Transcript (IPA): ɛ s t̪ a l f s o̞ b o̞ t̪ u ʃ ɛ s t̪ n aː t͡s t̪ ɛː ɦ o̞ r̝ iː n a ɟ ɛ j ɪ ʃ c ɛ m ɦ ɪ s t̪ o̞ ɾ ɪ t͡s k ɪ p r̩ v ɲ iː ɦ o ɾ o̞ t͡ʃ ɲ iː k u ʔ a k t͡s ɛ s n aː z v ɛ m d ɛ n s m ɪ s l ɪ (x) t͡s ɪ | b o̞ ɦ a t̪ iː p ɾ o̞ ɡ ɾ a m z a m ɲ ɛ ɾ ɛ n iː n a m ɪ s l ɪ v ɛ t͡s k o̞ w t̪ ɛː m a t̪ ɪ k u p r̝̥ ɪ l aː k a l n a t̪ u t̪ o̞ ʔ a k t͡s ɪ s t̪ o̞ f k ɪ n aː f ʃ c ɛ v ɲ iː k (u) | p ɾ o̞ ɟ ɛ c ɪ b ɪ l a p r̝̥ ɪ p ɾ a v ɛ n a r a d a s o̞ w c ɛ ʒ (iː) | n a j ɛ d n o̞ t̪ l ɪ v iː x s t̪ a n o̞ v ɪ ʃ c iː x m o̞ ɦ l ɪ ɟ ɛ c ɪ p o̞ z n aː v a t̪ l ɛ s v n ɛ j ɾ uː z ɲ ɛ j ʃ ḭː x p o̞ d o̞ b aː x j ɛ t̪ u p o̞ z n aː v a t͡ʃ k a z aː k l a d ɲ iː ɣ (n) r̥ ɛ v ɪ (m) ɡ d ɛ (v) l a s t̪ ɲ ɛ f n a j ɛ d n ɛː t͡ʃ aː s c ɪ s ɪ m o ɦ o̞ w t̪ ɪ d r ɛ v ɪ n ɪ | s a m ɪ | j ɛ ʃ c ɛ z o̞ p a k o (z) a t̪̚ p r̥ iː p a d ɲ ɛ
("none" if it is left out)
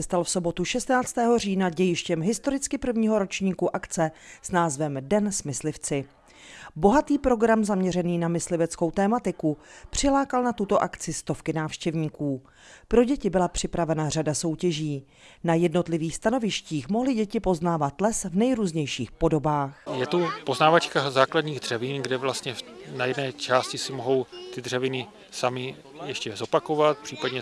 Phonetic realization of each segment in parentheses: f, uː, iː, d, n, v, v

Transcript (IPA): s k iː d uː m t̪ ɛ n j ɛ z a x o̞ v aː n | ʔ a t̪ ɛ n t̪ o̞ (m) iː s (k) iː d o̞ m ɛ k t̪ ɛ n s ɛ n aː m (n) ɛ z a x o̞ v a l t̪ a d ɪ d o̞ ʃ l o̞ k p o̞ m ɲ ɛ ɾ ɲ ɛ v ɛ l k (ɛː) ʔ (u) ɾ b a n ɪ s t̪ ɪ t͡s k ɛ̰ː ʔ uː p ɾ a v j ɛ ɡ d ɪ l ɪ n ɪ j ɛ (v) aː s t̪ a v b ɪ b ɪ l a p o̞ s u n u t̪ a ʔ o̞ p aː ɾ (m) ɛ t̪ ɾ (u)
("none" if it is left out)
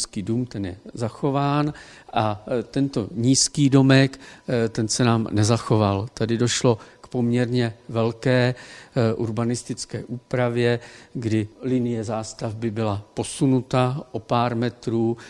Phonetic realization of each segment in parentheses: ɲ, k, n, ɛː, u, z, m, uː

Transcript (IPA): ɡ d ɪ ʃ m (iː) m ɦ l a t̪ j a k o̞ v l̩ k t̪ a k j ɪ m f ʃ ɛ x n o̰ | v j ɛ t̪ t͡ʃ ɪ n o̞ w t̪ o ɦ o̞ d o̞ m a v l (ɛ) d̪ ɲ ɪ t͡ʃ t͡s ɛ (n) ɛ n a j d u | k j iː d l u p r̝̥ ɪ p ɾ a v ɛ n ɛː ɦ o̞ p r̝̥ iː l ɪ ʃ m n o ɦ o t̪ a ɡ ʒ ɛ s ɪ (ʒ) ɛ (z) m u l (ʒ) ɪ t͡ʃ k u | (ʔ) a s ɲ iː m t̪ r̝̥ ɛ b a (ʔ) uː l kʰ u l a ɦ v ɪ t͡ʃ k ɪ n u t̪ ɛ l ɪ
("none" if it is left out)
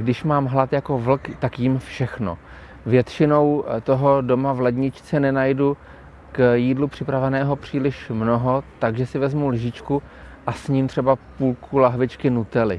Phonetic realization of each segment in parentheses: aː, ɛ, n, v, z, ʒ, ʔ, p

